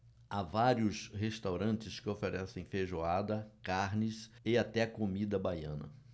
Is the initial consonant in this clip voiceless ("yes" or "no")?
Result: no